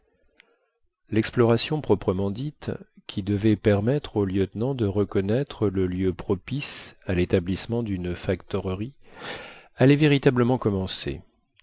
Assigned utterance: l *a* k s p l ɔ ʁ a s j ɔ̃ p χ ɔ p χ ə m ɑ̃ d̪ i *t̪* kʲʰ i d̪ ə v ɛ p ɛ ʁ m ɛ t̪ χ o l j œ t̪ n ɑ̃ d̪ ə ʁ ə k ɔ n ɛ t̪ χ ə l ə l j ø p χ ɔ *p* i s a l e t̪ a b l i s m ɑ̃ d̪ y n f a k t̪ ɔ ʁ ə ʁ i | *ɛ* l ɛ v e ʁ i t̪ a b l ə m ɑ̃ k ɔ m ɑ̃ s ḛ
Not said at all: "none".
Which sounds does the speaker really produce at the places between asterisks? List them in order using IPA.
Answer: ɛ, t̪, p, a

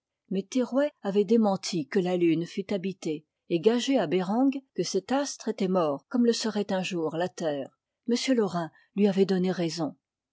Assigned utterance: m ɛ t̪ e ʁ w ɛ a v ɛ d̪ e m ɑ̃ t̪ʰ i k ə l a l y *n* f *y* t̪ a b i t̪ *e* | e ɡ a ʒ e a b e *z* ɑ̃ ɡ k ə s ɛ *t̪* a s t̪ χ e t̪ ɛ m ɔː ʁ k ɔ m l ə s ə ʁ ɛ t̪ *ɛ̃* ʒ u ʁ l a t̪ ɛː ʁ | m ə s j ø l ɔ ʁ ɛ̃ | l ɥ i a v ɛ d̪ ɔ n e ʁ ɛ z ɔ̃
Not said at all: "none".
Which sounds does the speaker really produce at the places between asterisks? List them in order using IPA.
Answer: n, y, e, ʁ, t̪, ɛ̃

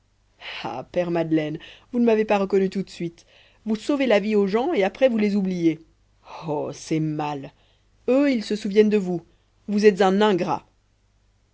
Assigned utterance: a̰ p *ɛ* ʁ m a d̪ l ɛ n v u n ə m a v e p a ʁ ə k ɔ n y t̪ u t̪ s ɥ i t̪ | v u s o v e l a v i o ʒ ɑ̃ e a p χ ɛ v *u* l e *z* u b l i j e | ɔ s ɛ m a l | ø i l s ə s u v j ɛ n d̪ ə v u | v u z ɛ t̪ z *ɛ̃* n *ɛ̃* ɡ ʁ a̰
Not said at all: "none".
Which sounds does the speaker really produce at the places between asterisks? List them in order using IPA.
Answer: ɛ, u, z, ɛ̃, ɛ̃

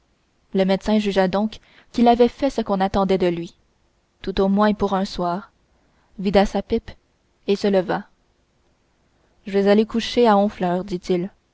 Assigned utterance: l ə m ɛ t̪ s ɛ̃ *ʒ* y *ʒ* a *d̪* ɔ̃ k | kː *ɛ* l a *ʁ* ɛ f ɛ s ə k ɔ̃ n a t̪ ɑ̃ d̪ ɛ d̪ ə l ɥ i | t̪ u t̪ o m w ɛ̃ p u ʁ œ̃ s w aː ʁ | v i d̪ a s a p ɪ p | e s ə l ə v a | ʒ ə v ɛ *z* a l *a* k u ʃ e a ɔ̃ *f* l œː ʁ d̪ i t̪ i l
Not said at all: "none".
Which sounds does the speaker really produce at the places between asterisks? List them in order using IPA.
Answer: ʒ, ʒ, d̪, i, v, z, e, f

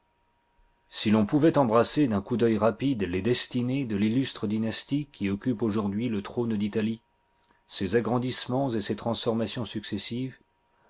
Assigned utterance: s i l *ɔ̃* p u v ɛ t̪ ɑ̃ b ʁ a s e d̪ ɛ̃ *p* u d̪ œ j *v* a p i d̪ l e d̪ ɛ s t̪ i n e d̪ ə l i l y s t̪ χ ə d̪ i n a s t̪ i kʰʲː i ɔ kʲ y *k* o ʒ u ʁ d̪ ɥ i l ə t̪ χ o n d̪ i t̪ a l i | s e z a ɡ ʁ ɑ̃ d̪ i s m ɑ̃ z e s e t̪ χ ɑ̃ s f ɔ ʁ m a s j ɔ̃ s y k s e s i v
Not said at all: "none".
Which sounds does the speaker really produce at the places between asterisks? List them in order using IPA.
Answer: ɔ̃, k, ʁ, p

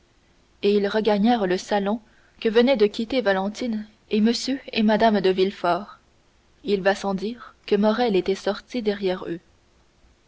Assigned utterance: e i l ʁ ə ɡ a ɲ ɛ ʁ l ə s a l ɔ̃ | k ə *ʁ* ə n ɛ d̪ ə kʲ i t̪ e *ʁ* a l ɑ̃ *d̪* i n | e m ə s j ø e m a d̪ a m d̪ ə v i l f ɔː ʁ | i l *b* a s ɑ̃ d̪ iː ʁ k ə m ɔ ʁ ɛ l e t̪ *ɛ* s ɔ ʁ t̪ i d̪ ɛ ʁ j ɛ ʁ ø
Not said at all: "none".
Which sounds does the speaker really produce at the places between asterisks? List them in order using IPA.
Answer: v, v, t̪, v, ɛ

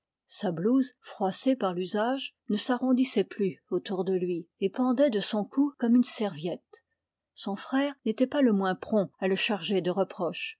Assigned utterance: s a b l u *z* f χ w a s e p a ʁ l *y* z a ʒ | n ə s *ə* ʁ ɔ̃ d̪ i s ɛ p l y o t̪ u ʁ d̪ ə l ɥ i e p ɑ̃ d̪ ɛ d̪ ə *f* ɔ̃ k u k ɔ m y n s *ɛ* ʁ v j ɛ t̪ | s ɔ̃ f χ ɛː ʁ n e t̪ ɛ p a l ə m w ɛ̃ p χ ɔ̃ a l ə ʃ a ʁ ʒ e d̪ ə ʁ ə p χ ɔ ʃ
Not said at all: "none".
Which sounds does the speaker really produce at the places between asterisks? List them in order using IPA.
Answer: z, y, a, s, ɛ

